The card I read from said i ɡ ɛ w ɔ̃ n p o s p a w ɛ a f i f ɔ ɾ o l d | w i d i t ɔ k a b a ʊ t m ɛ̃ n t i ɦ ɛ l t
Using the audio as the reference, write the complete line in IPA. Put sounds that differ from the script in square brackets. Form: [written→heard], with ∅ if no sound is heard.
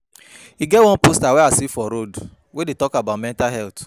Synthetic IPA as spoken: i ɡ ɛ w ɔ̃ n p o s [p→t] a w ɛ a [f→s] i f ɔ ɾ o [l→∅] d | w [i→e] d [i→e] t ɔ k a b a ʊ t m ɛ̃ n t [i→a] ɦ ɛ l t